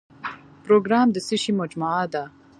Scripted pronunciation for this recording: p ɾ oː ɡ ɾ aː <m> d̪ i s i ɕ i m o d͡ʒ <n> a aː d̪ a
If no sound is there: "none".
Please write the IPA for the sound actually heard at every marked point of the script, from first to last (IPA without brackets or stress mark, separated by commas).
m, m